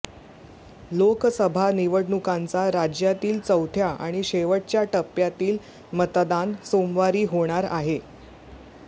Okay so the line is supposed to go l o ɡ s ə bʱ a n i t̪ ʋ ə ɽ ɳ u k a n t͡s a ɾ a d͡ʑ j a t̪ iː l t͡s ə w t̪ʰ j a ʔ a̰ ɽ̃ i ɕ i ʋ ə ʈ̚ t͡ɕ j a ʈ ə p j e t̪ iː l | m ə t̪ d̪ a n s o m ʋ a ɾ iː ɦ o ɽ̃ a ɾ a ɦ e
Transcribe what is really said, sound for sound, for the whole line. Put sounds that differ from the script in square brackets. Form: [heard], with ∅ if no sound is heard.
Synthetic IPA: l o [k] s ə bʱ a n i [∅] ʋ ə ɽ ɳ u k a n t͡s a ɾ a d͡ʑ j a t̪ iː l t͡s ə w t̪ʰ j a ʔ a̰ ɽ̃ i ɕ [e] ʋ ə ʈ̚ t͡ɕ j a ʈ ə p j [a] t̪ iː l | m ə t̪ d̪ a n s o m ʋ a ɾ iː ɦ o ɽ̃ a ɾ a ɦ e